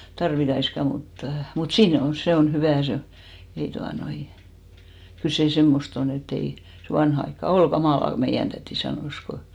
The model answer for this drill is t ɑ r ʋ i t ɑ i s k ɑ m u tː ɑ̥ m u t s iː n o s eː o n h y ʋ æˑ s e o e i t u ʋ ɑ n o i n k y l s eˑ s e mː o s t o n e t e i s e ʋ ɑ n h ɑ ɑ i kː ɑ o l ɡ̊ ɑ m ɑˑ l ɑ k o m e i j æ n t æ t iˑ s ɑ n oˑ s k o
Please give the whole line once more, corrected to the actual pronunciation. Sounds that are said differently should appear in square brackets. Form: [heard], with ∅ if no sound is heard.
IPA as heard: t ɑ r ʋ i t ɑ i s k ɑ m u tː ɑ̥ m u t s iː n o s [e] o n h y ʋ æˑ s e o e i t u [∅] ɑ n o i n k y l s eˑ s e mː o s t o n e t e i s e ʋ ɑ n h ɑ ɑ i kː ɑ o l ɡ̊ ɑ m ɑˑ l ɑ k o m e i j æ n t æ t iˑ s ɑ n oˑ s k o